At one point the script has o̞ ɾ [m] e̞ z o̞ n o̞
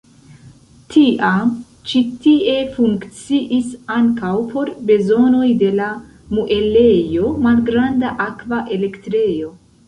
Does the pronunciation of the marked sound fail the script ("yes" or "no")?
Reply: yes